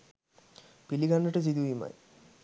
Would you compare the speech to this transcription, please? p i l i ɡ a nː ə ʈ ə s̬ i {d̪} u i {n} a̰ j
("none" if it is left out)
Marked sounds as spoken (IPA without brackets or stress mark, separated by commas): d̪, m